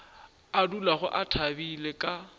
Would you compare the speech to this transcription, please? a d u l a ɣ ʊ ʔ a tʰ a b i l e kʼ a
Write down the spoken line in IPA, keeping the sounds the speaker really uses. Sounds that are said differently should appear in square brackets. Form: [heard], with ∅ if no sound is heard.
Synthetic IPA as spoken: a d u l a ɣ ʊ ʔ a tʰ a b i l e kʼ a